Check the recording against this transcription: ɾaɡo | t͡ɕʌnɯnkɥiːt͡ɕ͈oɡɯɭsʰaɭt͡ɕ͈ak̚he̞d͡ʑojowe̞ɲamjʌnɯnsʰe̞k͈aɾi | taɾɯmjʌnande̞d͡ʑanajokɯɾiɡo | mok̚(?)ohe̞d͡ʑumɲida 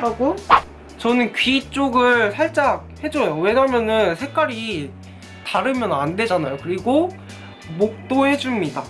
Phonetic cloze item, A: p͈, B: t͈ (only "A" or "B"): B